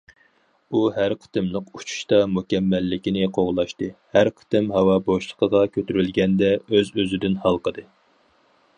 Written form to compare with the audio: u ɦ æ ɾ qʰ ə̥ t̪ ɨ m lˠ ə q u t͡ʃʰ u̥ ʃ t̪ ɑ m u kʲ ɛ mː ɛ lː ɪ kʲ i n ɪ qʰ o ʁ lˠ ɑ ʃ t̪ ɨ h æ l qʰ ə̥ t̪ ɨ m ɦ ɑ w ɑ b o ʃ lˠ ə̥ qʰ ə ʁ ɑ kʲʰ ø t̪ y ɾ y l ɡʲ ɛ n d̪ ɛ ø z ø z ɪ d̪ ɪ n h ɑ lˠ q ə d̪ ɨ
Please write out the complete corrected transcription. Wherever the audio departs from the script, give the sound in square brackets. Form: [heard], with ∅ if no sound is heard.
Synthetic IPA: u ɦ æ ɾ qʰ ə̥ t̪ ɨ m lˠ ə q u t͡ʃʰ u̥ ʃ t̪ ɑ m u kʲ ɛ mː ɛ lː ɪ kʲ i n ɪ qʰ o ʁ lˠ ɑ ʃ t̪ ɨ h æ [ɾ] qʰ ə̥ t̪ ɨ m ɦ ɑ w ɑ b o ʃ lˠ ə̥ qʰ ə ʁ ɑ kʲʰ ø t̪ y ɾ y l ɡʲ ɛ n d̪ ɛ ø z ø z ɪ d̪ ɪ n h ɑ lˠ q ə d̪ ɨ